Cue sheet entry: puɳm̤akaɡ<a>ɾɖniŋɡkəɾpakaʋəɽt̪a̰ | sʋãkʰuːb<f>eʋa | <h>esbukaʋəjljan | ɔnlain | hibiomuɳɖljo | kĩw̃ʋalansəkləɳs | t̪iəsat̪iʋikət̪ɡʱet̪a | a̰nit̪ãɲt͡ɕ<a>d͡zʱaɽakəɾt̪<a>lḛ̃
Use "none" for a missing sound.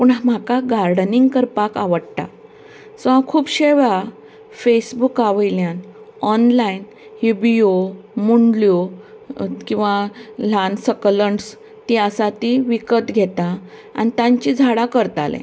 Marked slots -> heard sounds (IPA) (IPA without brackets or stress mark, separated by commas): a, ɕ, f, i, a